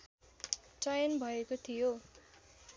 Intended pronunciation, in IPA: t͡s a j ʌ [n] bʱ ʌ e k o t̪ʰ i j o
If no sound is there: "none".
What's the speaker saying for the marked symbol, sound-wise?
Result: n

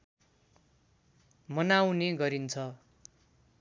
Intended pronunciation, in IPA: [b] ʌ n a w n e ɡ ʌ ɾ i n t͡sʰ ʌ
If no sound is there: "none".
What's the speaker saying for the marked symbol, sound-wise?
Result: m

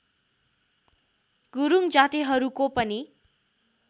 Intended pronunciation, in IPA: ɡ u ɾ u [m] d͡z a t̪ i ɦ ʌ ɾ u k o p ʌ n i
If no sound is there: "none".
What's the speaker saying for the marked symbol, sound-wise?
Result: ŋ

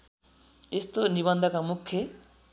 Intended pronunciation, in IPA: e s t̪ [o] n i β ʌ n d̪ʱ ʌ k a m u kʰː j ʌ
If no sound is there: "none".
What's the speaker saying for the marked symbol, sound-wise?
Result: o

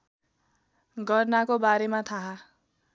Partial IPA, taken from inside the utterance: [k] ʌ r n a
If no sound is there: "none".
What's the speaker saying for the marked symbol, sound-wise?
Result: ɡ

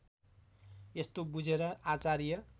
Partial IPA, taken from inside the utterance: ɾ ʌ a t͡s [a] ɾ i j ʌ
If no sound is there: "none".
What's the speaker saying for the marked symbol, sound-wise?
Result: a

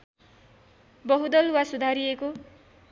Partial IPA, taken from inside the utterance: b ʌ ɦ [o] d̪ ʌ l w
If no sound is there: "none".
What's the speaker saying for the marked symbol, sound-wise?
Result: u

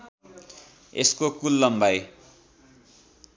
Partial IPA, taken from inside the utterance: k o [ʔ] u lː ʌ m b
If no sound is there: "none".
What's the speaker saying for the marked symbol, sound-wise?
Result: k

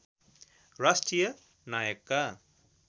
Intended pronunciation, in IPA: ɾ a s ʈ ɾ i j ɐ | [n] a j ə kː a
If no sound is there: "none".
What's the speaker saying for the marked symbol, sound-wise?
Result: n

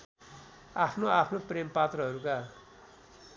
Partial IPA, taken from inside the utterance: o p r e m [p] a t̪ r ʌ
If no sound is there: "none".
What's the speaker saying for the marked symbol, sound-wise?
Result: p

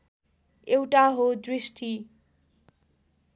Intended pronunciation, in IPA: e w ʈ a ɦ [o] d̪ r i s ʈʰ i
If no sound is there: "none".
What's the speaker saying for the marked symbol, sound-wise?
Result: o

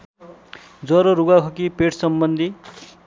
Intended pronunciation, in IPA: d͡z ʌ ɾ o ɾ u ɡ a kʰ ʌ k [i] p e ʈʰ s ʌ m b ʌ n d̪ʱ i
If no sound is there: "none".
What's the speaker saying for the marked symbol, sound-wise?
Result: i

